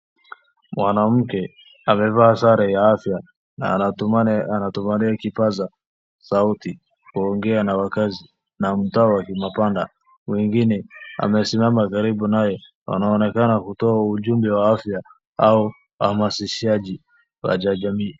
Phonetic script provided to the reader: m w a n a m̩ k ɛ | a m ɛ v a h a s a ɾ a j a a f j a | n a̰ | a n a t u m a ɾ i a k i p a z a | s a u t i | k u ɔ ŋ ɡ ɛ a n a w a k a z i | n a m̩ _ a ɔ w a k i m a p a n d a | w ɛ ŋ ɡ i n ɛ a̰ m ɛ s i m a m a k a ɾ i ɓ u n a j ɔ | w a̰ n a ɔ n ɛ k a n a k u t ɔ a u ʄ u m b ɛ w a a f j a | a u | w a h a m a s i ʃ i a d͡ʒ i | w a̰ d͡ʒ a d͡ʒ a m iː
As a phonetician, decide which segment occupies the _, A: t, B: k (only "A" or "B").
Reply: A